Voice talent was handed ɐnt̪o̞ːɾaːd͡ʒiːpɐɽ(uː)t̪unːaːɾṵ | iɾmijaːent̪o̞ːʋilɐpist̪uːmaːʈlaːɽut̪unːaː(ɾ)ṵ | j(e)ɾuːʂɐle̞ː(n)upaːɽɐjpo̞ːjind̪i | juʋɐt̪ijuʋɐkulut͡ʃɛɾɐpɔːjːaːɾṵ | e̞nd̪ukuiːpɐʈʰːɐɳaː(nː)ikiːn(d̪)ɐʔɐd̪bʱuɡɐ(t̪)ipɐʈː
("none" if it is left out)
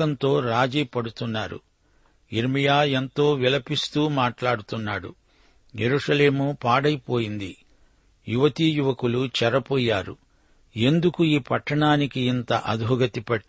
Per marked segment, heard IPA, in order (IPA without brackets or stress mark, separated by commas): u, ɽ, e, m, n, t̪, t̪